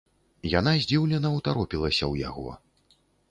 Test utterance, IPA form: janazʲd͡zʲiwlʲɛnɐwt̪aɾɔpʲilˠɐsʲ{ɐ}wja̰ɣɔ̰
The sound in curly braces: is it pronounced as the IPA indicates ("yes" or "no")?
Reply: yes